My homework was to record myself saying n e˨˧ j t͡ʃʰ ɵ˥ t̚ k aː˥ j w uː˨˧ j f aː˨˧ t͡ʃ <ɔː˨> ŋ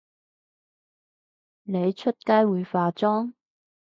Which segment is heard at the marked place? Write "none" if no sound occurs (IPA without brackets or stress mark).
ɔː˥